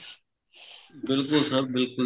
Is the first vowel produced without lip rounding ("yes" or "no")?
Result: yes